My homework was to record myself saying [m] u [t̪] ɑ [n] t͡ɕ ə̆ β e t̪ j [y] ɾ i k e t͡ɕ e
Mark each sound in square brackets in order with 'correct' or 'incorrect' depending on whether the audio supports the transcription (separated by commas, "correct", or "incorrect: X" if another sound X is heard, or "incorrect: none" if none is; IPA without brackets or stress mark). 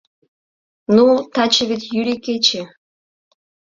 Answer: incorrect: n, correct, incorrect: none, correct